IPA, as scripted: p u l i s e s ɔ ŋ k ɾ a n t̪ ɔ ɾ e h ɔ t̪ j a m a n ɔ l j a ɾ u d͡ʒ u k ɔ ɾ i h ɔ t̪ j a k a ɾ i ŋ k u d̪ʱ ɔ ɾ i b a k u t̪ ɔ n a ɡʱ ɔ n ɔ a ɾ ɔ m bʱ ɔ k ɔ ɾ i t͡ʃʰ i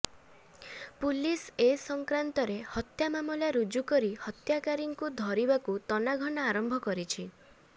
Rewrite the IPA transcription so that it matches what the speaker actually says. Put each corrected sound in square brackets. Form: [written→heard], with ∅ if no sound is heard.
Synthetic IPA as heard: p u l i s e s ɔ ŋ k ɾ a n t̪ ɔ ɾ e h ɔ t̪ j a m a [n→m] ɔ l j a ɾ u d͡ʒ u k ɔ ɾ i h ɔ t̪ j a k a ɾ i ŋ k u d̪ʱ ɔ ɾ i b a k u t̪ ɔ n a ɡʱ ɔ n ɔ a ɾ ɔ m bʱ ɔ k ɔ ɾ i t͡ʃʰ i